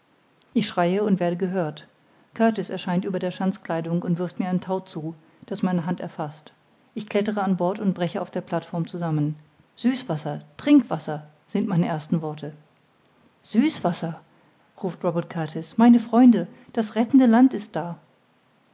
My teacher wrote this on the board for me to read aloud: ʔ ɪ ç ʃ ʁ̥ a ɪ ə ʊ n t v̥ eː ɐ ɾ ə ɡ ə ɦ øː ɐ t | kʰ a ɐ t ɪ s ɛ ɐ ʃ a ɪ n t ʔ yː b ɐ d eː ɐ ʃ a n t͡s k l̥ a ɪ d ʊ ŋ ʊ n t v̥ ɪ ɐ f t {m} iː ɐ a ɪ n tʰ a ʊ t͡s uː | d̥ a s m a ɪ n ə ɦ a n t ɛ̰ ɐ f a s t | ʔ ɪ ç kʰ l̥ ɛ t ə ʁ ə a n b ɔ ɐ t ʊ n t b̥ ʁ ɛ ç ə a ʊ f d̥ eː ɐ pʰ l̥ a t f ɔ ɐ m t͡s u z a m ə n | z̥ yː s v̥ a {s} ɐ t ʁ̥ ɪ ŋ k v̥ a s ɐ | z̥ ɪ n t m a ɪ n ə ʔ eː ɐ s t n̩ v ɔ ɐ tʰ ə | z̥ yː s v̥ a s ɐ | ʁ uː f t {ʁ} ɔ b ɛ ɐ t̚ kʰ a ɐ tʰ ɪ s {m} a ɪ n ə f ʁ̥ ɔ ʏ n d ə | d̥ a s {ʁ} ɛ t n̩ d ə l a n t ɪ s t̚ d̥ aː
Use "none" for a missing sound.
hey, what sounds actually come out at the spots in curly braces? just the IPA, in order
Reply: m, s, ʁ, m, ʁ

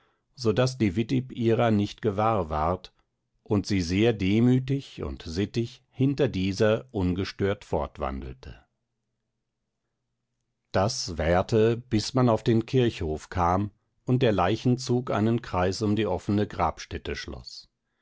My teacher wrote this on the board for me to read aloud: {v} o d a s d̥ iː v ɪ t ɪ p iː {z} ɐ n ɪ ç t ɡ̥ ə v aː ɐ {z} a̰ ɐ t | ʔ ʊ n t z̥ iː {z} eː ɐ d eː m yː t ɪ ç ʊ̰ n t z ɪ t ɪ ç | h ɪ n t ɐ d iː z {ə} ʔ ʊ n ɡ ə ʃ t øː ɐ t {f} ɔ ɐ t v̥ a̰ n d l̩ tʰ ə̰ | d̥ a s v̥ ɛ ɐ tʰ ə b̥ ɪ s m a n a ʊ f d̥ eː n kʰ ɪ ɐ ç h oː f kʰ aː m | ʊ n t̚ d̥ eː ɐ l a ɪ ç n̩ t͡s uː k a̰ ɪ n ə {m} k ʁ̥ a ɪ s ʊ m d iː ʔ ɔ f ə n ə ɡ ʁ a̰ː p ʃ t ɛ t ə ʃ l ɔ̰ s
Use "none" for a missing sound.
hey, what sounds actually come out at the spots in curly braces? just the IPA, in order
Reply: z, ʁ, v, z, ɐ, f, n

